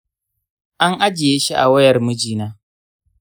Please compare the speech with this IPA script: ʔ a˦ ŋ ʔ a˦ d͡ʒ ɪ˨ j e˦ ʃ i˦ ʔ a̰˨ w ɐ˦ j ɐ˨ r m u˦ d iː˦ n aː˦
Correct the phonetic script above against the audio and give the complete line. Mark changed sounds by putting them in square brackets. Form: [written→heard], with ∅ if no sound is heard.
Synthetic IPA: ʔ a˦ ŋ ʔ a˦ d͡ʒ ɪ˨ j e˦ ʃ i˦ ʔ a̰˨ w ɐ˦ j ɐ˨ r m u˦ [d→d͡ʒ] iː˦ n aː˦